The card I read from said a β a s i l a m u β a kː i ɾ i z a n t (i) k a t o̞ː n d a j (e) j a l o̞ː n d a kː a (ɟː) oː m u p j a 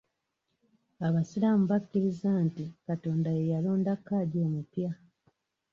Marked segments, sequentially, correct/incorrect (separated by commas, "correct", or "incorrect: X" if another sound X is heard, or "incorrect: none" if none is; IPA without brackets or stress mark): correct, correct, incorrect: ɟ